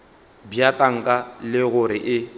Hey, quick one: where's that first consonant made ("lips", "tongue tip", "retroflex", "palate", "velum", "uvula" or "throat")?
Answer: lips